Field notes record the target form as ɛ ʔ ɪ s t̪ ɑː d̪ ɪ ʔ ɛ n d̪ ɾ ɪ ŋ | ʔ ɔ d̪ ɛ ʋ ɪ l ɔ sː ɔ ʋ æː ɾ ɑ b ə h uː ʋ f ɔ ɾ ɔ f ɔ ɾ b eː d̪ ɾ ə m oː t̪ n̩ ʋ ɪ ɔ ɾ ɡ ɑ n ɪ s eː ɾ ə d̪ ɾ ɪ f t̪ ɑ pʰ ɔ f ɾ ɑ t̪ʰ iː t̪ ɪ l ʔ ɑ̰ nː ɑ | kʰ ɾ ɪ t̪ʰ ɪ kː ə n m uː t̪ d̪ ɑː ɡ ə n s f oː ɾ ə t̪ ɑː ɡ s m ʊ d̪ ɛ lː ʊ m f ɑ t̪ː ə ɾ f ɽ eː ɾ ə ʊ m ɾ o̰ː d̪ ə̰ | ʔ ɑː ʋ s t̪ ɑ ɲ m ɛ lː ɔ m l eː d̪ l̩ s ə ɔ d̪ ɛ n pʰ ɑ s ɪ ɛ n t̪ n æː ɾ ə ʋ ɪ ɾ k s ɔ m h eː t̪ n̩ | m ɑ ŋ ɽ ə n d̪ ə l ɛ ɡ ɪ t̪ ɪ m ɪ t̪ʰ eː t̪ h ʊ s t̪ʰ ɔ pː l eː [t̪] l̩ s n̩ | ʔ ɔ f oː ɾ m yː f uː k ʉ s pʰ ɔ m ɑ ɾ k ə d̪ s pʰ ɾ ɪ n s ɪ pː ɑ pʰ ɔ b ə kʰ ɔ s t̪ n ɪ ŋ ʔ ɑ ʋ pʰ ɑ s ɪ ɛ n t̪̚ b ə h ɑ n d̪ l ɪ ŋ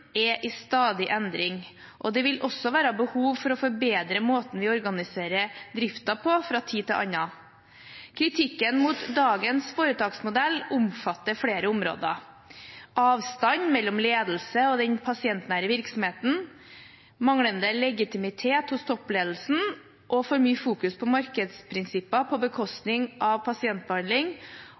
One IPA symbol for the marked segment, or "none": d̪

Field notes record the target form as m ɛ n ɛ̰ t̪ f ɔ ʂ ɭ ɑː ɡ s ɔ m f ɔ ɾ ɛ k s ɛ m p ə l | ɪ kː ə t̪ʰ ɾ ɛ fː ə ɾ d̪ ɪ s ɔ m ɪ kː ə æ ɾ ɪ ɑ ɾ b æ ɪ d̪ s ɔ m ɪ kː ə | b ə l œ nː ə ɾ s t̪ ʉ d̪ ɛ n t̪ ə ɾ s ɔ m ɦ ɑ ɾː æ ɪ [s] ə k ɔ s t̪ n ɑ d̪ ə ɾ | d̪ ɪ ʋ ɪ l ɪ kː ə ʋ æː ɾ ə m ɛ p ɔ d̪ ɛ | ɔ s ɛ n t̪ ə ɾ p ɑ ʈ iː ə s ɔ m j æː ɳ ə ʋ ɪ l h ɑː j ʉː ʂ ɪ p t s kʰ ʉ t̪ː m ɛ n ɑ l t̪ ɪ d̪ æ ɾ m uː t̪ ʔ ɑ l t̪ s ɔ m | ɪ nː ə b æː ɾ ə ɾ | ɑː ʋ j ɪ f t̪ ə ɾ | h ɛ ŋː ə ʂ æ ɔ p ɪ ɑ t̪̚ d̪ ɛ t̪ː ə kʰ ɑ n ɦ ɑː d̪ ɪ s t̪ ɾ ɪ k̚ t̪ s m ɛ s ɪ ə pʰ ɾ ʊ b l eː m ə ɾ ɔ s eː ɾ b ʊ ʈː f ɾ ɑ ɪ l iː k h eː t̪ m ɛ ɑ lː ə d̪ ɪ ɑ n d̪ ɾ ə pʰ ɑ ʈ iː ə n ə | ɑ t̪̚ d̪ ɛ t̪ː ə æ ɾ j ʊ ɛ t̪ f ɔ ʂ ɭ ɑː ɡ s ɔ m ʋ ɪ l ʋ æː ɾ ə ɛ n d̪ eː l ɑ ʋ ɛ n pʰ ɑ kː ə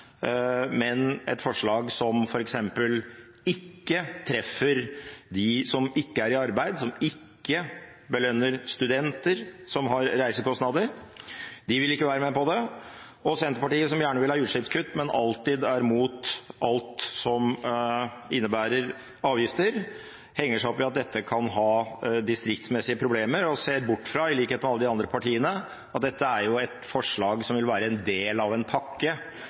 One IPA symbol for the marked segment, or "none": s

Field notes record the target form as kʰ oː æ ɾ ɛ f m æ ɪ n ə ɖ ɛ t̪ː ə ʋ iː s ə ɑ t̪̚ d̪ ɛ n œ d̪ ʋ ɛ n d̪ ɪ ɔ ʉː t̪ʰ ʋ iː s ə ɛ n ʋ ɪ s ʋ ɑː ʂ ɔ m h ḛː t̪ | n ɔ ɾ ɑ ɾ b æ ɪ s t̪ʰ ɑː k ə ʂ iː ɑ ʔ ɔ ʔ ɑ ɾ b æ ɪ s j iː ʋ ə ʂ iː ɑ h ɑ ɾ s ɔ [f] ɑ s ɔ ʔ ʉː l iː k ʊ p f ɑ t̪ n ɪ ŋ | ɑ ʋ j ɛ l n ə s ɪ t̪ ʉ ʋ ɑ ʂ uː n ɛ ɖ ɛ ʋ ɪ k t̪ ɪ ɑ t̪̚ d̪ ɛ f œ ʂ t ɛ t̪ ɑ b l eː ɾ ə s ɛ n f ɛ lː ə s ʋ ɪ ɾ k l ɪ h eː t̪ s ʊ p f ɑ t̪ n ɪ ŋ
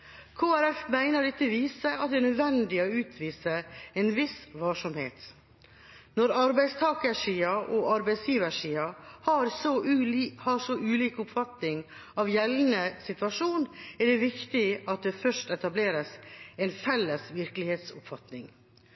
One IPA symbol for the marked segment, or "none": h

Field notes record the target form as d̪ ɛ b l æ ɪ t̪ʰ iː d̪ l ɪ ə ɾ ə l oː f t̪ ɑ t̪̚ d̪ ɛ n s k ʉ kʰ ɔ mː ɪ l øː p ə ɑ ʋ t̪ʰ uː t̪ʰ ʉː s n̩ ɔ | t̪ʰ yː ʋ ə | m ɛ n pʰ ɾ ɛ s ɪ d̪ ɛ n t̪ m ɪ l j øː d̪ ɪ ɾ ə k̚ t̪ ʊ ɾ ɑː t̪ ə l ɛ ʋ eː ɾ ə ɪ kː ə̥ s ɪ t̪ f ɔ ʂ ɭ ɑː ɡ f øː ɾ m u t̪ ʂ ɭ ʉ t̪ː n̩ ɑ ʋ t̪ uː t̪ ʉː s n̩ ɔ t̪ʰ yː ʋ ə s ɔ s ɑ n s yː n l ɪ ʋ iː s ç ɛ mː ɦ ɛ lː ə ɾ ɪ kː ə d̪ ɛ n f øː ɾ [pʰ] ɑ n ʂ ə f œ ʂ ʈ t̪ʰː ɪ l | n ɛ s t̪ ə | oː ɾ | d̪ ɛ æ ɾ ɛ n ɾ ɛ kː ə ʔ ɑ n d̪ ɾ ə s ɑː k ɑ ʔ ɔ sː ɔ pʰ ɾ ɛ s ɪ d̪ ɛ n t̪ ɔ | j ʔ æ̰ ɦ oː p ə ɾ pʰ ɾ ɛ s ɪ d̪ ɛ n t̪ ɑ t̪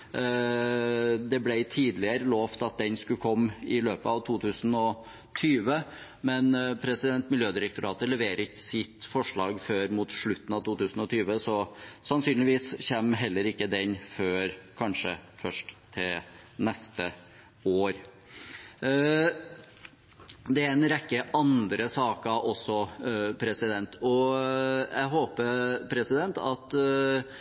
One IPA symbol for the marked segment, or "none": kʰ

